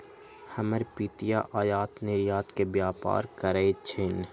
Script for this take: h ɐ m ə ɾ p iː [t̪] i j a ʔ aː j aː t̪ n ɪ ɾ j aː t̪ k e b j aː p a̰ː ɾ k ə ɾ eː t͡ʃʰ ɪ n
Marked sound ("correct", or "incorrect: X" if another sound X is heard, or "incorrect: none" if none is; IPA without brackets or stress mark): correct